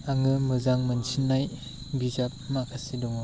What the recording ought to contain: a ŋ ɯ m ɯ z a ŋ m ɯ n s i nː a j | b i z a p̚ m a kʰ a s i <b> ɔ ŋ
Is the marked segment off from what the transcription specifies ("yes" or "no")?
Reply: yes